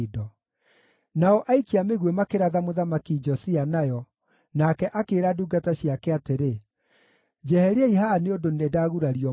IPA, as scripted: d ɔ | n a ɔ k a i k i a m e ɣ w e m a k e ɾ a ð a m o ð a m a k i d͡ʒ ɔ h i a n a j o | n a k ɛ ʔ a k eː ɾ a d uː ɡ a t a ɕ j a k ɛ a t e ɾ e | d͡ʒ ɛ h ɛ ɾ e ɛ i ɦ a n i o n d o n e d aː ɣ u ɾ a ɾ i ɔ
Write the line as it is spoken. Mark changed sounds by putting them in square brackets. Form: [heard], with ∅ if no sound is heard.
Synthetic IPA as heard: d ɔ | n a ɔ [ʔ] a i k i a m e ɣ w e m a k e ɾ a ð a m o ð a m a k i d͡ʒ ɔ [s] i a n a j [ɔ] | n a k ɛ ʔ a k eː ɾ a d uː ɡ a t a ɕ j a k ɛ a t e ɾ e | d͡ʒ ɛ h ɛ ɾ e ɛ i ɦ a n [e] o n d o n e d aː ɣ u ɾ a ɾ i ɔ